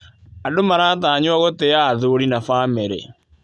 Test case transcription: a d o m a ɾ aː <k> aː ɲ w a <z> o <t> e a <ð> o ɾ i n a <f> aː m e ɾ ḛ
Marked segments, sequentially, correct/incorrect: incorrect, incorrect, correct, correct, correct

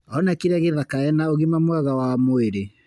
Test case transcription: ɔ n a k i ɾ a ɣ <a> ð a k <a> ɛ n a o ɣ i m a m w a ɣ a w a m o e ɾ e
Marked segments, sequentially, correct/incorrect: incorrect, correct

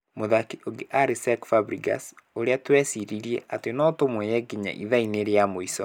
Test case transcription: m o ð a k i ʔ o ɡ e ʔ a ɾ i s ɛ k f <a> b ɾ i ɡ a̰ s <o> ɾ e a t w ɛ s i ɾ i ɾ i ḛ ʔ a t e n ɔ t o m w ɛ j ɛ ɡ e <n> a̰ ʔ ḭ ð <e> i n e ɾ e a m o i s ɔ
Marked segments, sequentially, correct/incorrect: correct, correct, incorrect, incorrect

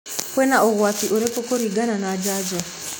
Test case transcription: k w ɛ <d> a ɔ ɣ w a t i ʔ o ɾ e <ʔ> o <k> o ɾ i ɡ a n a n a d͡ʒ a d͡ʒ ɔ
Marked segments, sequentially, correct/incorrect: incorrect, incorrect, correct

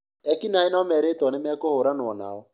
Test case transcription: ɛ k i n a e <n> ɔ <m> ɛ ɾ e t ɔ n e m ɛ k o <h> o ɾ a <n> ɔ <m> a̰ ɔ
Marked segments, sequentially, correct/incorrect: correct, correct, correct, correct, incorrect

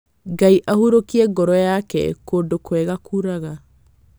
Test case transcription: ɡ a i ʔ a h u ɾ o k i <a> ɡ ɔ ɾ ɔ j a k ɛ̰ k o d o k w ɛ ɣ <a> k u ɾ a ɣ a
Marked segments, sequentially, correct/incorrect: incorrect, correct

